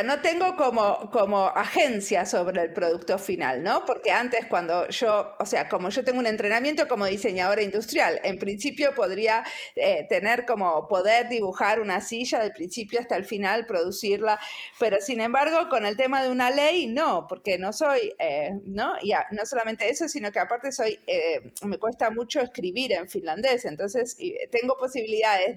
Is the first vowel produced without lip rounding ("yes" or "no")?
no